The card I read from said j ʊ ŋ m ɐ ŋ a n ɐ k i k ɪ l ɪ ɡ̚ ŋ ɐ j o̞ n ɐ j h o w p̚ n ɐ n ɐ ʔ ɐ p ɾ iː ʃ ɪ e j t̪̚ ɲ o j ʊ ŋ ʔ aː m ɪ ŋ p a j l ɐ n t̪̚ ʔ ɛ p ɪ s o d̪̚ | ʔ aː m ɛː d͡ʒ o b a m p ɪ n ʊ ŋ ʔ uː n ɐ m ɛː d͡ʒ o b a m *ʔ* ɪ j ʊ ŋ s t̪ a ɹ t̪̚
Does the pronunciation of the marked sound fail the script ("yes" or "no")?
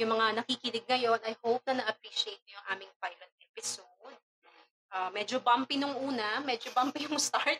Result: yes